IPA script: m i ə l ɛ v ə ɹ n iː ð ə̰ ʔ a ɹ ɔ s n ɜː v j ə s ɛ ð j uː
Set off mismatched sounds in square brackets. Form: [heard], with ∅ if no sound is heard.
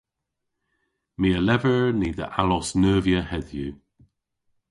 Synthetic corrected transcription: m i ə l ɛ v ə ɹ n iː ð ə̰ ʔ a [l] ɔ s n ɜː v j ə [h] ɛ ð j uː